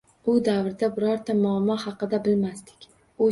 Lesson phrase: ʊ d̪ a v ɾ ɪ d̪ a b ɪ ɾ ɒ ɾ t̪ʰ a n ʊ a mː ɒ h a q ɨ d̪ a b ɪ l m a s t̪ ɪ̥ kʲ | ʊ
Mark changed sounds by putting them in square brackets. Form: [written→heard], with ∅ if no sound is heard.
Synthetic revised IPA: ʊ d̪ a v ɾ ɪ d̪ a b ɪ ɾ ɒ ɾ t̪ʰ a [n→m] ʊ a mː ɒ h [a→ɑ] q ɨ d̪ a b ɪ l m a s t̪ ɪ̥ kʲ | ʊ